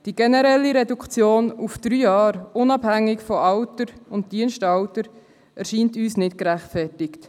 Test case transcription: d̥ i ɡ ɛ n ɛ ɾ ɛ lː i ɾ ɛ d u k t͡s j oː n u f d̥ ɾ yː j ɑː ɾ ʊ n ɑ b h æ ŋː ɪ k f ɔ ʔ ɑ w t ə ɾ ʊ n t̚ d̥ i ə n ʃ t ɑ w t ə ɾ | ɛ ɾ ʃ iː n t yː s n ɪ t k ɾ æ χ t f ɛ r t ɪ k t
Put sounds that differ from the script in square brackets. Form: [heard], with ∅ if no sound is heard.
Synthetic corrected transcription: d̥ i ɡ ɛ n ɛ ɾ ɛ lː i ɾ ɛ d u k t͡s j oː n u f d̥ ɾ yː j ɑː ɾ ʊ n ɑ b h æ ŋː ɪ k f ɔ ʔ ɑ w t ə ɾ ʊ n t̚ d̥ i ə n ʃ t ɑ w t ə ɾ | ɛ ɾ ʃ iː n t yː s n ɪ t k ɾ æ χ t f ɛ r t ɪ k t

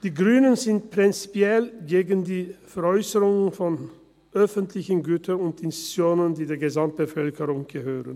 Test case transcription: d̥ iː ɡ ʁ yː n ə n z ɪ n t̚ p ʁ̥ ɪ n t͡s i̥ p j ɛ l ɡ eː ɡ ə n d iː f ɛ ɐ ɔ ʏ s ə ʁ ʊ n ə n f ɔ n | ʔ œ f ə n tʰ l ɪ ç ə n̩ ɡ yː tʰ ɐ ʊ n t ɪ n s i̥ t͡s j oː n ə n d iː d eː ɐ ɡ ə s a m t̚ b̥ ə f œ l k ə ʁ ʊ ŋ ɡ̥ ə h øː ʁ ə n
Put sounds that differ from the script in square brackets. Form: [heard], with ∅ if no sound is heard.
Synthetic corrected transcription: d̥ iː ɡ ʁ yː n ə n z ɪ n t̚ p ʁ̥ ɪ n t͡s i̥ p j ɛ l ɡ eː ɡ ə n d iː f ɛ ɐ ɔ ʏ s ə ʁ ʊ [ŋ] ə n f ɔ n | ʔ œ f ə n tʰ l ɪ ç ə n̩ ɡ yː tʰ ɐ ʊ n t ɪ n s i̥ t͡s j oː n ə n d iː d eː ɐ ɡ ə [z] a m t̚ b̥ ə f œ l k ə ʁ ʊ ŋ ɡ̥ ə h øː ʁ ə n

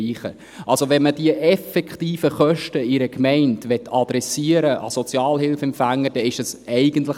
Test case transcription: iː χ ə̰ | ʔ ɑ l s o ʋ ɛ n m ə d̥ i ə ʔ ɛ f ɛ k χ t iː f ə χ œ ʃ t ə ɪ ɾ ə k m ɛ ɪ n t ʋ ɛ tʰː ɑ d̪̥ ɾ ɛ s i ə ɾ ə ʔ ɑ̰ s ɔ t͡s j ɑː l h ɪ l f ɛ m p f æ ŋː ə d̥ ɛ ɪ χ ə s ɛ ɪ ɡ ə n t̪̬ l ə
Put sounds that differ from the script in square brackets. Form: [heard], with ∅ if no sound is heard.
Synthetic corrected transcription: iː χ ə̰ | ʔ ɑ l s o ʋ ɛ n m ə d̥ i ə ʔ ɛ f ɛ k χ t iː f ə χ œ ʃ t ə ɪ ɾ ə k m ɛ ɪ n t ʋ ɛ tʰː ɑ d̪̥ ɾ ɛ s i ə ɾ ə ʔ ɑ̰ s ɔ t͡s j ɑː l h ɪ l f ɛ m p f æ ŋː ə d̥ ɛ ɪ [ʃ] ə s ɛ ɪ ɡ ə n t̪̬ l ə

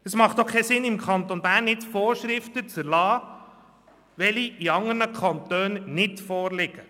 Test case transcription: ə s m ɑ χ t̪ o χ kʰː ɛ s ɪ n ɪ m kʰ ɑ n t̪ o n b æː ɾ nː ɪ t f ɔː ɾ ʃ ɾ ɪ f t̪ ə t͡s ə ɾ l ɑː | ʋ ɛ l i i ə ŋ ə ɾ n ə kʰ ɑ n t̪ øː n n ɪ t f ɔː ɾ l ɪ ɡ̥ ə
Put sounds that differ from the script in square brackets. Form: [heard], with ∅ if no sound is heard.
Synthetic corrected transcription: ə s m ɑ χ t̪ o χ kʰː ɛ s ɪ n ɪ m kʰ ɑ n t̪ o n b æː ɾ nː ɪ t f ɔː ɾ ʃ ɾ ɪ f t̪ ə t͡s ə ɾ l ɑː | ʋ ɛ l i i [ɑ] ŋ ə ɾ n ə kʰ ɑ n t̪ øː n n ɪ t f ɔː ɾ l ɪ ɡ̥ ə

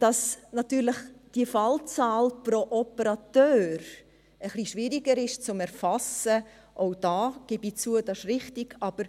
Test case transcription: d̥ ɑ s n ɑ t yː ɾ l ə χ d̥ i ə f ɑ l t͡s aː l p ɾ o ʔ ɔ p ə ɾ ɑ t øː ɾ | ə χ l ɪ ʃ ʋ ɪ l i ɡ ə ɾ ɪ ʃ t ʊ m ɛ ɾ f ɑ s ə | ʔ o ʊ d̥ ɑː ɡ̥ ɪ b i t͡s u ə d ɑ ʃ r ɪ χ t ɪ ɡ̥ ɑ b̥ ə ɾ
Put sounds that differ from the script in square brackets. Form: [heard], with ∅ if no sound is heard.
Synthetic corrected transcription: d̥ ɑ s n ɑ t yː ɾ l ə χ d̥ i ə f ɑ l t͡s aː l p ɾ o ʔ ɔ p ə ɾ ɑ t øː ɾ | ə χ l [i] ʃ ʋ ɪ [ɾ] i ɡ ə ɾ ɪ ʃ [t͡s] ʊ m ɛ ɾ f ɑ s ə | ʔ o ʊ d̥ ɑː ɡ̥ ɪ b i t͡s u ə d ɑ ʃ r ɪ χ t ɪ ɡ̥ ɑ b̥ ə ɾ

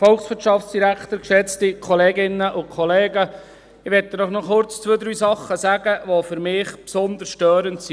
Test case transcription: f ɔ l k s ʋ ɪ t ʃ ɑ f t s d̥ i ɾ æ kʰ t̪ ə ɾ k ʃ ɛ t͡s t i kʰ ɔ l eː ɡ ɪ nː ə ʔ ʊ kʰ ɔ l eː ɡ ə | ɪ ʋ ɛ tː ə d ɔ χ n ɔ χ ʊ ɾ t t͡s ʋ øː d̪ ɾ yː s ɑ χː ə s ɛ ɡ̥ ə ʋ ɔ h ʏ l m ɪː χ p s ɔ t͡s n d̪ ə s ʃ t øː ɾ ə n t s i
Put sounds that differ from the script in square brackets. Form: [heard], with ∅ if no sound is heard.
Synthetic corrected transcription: f ɔ l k s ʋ ɪ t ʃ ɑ f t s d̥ i ɾ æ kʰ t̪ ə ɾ k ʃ ɛ t͡s t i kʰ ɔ l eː ɡ ɪ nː ə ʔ ʊ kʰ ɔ l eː ɡ ə | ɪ ʋ ɛ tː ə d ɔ χ n ɔ χ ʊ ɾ [t͡s] t͡s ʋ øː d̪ ɾ yː s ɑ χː ə s [æ] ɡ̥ ə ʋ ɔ [f] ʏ [ɾ] m ɪː χ p s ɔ [∅] n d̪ ə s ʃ t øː ɾ ə n t s i

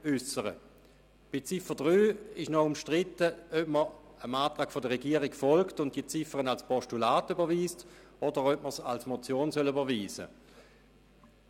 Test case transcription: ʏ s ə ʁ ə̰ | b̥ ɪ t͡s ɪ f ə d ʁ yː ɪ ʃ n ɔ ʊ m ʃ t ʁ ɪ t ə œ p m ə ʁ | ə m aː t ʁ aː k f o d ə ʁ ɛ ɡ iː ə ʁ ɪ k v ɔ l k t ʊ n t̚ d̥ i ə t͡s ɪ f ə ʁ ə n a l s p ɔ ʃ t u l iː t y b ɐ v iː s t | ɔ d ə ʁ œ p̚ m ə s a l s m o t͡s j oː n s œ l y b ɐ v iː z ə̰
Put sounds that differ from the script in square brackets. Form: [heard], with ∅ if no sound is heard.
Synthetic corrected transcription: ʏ s ə ʁ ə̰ | b̥ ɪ t͡s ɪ f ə d ʁ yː ɪ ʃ n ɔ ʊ m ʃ t ʁ ɪ t ə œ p m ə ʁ | ə m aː t ʁ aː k f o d ə ʁ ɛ ɡ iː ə ʁ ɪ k [f] ɔ l k t ʊ n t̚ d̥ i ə t͡s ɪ f ə ʁ ə n a l s p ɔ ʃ t u l [aː] t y b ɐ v iː s t | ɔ d ə ʁ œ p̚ m ə s a l s m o t͡s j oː n s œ l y b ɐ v iː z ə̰

